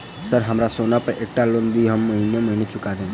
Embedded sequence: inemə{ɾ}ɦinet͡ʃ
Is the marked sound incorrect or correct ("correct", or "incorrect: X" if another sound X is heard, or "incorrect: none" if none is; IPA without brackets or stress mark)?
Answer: incorrect: none